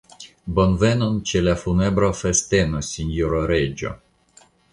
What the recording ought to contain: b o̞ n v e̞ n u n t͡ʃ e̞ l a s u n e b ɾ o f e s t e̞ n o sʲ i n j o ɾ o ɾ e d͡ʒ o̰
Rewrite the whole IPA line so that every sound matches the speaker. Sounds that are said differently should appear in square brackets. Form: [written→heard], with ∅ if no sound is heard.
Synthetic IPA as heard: b o̞ n v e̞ n [u→o] n t͡ʃ e̞ l a [s→f] u n e b ɾ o f e s t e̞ n o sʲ i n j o ɾ o ɾ e d͡ʒ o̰